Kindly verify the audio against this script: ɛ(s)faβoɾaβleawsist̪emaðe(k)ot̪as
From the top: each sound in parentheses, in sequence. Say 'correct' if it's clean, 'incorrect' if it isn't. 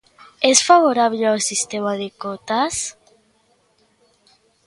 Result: correct, correct

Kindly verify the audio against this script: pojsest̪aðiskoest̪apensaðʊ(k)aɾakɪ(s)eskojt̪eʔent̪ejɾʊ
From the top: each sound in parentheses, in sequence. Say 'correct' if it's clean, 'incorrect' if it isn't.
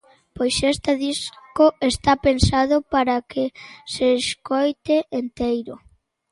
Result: incorrect, correct

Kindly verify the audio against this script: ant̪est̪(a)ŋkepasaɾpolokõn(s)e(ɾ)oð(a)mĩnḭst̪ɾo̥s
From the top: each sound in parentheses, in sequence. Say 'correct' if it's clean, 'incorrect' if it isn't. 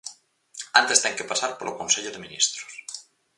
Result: incorrect, correct, incorrect, incorrect

